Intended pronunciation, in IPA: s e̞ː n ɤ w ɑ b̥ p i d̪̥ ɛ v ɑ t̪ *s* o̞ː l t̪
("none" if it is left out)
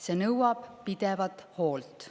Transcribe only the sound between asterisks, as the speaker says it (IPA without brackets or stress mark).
h